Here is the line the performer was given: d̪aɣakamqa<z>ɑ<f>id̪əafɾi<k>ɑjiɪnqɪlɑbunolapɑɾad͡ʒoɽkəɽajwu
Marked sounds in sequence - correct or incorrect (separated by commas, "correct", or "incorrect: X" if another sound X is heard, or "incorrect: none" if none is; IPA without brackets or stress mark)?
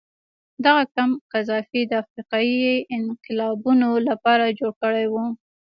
correct, correct, incorrect: q